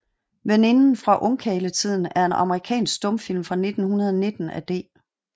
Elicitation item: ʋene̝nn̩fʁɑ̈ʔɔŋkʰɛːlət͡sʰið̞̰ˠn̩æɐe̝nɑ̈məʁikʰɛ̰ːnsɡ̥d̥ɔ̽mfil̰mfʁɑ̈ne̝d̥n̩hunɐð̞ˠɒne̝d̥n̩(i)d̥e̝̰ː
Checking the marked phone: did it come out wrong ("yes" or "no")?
yes